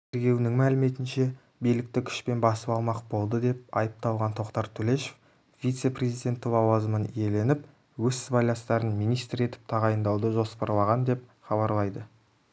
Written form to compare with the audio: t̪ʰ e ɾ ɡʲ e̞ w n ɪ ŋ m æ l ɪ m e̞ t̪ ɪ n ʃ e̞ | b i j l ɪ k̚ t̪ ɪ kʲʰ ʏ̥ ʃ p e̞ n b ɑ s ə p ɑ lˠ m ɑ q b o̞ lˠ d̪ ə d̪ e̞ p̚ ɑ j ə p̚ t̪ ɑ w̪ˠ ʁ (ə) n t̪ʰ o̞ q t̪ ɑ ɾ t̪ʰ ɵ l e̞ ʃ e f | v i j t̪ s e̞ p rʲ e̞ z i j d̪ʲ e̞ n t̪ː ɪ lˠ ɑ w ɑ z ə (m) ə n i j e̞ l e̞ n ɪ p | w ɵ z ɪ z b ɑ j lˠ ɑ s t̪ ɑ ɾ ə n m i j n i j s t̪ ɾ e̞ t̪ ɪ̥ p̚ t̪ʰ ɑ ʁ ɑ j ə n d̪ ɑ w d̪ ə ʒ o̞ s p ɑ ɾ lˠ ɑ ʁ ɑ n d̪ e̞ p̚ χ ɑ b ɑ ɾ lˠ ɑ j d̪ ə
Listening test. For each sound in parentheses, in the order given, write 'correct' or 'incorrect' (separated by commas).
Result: incorrect, correct